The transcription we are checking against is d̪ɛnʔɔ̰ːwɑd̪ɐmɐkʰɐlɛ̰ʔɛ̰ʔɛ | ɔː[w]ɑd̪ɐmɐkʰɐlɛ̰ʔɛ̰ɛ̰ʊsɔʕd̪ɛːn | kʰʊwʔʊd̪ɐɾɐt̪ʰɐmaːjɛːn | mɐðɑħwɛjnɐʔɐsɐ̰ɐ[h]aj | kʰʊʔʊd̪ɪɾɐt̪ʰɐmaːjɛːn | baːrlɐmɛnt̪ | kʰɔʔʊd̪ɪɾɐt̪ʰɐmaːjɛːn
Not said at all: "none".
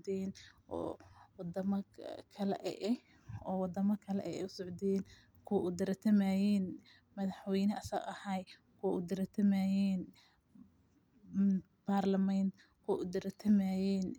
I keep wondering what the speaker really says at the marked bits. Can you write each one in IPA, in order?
w, h

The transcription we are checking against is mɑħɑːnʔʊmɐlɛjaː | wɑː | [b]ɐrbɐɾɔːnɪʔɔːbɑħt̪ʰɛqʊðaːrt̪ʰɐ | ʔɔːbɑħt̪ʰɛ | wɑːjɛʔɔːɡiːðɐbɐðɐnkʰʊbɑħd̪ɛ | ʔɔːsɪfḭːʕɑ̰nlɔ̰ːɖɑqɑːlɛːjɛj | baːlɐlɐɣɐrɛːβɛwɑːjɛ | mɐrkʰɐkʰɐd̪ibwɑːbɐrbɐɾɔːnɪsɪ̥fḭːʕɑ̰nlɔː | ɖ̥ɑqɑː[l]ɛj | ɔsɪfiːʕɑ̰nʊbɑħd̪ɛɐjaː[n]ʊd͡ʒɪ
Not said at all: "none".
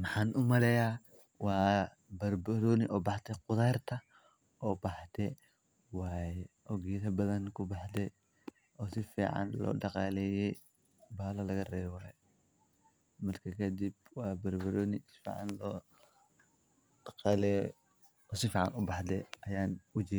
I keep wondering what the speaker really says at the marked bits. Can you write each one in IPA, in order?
b, l, n

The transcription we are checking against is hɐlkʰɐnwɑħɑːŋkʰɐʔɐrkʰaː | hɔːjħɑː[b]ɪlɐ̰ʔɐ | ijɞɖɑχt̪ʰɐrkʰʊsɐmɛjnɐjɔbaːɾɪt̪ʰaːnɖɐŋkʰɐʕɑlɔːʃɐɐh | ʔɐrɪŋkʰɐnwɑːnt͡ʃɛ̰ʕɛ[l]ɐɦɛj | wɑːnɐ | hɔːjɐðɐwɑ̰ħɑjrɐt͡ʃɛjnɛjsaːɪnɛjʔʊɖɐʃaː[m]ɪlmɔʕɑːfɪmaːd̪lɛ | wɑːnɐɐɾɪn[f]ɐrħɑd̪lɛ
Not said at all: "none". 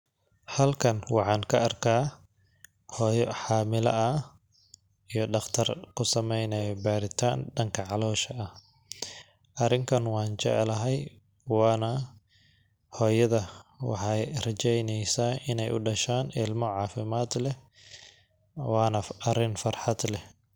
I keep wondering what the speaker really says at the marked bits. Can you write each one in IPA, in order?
m, l, n, f

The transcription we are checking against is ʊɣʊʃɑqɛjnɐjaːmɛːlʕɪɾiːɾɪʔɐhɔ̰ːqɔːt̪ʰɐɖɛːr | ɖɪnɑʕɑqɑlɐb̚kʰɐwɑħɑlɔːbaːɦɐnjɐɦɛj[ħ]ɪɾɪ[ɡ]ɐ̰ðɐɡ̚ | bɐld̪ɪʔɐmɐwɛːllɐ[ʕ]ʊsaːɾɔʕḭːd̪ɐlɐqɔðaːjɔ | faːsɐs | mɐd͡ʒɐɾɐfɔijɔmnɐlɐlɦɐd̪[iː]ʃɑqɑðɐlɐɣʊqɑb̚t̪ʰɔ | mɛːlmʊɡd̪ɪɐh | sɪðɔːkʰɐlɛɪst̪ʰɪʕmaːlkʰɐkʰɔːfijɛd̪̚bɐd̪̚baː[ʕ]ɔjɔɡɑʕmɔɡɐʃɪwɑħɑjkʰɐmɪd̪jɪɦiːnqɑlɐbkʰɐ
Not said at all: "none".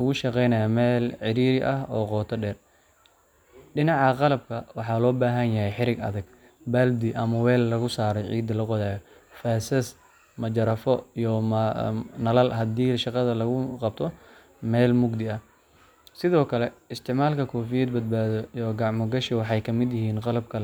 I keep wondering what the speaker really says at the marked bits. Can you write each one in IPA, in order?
ħ, ɡ, ɣ, iː, ð

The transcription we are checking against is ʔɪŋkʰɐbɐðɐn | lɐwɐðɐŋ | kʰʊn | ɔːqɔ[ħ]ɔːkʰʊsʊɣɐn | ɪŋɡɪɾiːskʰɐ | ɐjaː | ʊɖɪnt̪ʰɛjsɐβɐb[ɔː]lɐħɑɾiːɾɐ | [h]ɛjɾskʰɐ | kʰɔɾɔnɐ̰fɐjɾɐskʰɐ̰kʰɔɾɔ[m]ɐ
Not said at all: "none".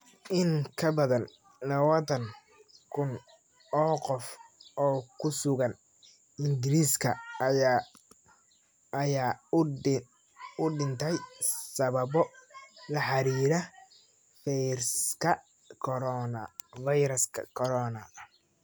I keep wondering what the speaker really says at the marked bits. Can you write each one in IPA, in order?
f, ɔ, f, n

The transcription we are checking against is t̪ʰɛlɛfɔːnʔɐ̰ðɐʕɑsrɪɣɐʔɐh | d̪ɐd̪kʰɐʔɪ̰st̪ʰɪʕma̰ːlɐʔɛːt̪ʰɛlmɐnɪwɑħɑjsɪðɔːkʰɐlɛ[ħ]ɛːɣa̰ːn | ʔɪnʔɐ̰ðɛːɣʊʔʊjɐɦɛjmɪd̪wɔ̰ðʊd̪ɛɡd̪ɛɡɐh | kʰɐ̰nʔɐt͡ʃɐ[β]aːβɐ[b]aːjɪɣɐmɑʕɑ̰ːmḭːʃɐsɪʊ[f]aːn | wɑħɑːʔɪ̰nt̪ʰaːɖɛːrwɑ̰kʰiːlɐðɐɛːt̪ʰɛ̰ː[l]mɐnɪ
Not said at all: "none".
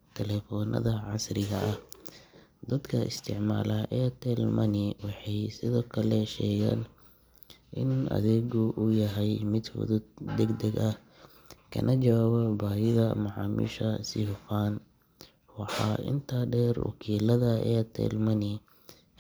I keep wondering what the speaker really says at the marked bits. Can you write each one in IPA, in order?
ʃ, w, b, f, l

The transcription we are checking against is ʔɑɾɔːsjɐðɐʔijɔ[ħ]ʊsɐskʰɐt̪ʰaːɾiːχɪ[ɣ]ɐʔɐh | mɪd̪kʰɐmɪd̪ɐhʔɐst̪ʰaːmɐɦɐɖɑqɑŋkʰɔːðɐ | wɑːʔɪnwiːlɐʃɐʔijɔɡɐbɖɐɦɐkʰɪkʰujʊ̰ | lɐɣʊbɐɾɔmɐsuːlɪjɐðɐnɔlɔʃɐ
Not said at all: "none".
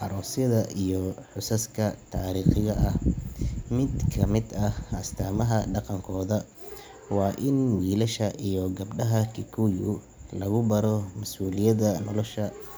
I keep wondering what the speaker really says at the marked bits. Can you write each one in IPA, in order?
ħ, ɣ

